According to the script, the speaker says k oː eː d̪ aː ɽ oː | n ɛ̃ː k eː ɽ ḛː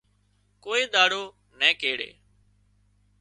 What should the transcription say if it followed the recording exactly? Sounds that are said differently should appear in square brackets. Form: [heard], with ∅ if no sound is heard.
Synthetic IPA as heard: k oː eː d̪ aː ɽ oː | n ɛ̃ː k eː ɽ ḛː